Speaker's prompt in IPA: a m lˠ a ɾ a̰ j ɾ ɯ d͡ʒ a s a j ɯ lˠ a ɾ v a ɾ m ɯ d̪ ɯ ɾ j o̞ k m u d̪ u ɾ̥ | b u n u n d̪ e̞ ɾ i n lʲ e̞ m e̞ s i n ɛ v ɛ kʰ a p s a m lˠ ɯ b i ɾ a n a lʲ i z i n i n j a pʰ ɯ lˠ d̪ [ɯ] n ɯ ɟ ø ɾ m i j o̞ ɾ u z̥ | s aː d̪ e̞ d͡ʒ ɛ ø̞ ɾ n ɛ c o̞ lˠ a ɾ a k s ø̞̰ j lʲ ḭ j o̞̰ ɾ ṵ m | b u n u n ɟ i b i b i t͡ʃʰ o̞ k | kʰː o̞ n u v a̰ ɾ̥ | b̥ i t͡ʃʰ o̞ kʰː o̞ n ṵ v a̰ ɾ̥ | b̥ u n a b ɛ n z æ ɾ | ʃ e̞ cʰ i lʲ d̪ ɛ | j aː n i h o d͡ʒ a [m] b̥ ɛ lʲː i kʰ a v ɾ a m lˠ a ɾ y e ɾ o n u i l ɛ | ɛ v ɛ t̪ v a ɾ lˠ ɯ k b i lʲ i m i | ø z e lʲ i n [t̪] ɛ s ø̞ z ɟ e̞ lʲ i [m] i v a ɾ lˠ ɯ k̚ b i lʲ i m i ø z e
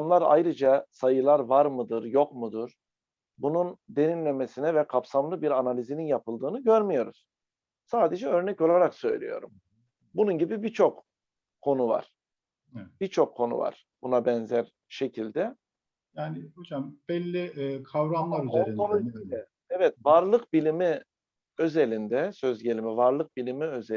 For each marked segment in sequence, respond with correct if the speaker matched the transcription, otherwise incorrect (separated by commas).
incorrect, correct, incorrect, correct